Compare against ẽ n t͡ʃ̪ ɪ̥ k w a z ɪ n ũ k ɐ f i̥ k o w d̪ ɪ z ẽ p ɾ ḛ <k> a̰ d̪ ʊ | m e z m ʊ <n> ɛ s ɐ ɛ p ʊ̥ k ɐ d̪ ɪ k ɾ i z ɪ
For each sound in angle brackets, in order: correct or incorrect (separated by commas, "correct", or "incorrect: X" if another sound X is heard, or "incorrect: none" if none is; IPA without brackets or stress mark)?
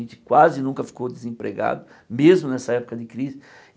incorrect: ɡ, correct